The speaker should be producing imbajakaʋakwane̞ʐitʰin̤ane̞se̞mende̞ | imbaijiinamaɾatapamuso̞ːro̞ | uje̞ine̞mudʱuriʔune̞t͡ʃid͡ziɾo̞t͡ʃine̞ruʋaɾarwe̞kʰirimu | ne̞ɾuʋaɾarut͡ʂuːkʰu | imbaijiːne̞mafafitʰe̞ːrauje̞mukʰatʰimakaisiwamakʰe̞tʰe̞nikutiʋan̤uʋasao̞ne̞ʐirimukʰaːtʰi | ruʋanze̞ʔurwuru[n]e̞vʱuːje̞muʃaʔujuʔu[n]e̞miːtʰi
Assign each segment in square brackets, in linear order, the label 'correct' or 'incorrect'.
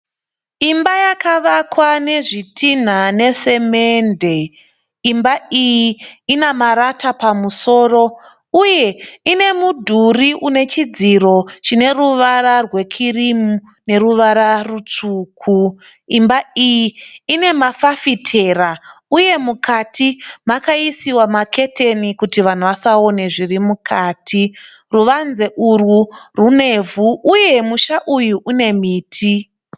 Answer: correct, correct

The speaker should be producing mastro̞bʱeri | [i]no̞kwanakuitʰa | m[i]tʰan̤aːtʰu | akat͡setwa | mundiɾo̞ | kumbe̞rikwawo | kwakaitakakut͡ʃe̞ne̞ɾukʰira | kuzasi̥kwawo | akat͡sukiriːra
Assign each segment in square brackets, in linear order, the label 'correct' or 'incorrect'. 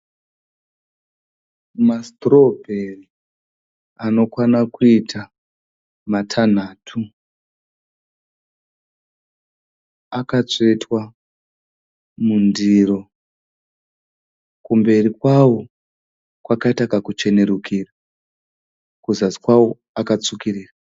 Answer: incorrect, incorrect

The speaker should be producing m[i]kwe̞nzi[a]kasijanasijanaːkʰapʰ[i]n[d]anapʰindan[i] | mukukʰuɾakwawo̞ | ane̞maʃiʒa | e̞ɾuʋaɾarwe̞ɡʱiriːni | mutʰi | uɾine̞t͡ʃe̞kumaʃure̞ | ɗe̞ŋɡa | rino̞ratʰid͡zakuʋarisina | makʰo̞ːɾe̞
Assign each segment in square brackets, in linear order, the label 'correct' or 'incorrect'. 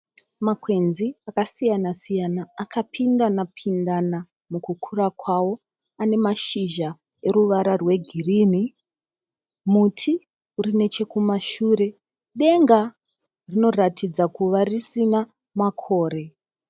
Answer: incorrect, correct, correct, correct, incorrect

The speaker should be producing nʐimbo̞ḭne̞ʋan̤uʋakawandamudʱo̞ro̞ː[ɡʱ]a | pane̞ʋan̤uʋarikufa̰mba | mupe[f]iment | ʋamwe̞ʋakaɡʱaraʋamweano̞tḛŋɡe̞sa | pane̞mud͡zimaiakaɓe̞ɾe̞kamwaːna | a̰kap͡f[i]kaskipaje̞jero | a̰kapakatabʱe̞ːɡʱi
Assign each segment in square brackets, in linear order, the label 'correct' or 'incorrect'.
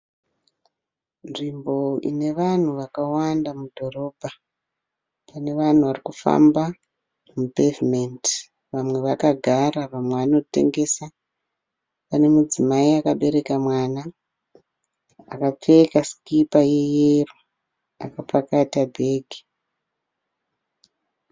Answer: incorrect, incorrect, incorrect

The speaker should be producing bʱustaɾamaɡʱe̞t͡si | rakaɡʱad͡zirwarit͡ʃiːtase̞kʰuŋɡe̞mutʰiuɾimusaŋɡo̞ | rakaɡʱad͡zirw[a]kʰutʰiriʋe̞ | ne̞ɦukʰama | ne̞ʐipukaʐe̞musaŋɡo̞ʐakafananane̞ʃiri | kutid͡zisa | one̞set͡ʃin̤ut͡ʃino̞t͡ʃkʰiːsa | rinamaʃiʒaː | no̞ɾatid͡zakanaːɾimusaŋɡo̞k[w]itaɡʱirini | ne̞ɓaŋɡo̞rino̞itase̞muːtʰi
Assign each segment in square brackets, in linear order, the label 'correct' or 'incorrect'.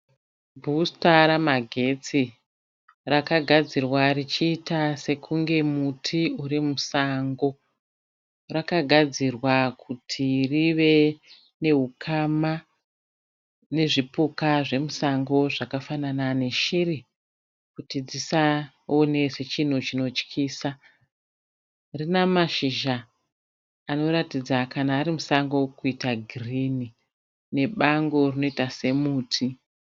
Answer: correct, incorrect

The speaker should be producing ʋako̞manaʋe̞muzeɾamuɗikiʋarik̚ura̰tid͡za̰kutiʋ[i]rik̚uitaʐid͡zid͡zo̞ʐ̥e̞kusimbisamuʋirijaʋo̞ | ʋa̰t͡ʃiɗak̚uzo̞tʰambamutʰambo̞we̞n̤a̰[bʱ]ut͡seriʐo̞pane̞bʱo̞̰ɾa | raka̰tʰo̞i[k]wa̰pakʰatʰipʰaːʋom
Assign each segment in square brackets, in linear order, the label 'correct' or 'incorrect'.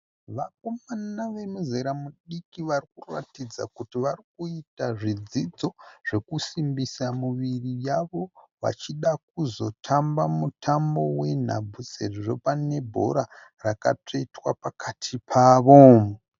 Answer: incorrect, correct, incorrect

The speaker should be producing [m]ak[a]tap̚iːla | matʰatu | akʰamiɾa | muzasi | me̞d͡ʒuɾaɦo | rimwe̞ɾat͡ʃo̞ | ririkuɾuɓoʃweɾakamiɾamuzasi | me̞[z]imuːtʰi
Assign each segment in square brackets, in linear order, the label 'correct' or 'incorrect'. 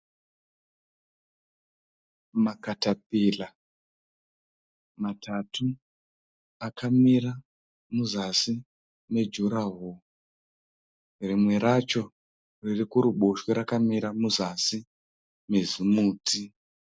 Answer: correct, correct, correct

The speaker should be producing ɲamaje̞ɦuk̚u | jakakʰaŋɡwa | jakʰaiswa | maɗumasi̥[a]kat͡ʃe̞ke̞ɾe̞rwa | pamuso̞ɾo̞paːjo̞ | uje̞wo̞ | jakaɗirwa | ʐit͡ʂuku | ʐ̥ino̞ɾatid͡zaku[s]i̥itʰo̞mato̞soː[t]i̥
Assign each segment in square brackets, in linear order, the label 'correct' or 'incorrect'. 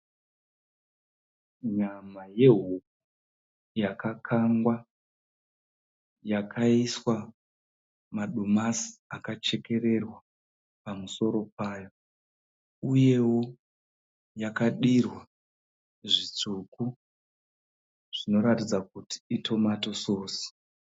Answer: correct, incorrect, incorrect

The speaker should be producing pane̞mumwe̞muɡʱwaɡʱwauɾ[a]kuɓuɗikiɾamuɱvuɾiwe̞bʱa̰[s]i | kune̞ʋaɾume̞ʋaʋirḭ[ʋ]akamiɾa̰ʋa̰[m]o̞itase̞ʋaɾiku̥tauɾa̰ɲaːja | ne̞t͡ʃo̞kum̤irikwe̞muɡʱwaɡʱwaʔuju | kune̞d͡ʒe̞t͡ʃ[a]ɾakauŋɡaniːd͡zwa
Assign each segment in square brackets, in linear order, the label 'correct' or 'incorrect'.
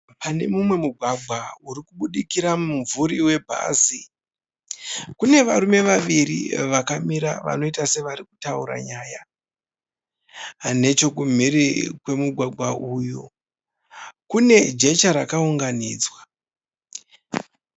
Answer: incorrect, incorrect, correct, incorrect, correct

